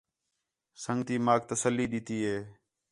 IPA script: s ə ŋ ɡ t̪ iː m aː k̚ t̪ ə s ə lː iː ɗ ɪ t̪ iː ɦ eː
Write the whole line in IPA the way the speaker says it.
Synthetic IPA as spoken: s ə ŋ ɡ t̪ iː m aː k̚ t̪ ə s ə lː iː ɗ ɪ t̪ iː ɦ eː